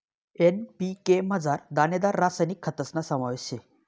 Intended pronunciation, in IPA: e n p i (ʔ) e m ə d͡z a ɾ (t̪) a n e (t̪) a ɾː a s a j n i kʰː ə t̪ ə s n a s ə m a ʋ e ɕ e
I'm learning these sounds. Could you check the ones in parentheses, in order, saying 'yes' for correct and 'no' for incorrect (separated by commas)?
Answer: no, no, no